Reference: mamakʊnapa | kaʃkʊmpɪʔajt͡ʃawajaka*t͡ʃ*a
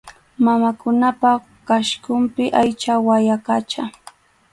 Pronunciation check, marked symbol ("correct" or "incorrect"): correct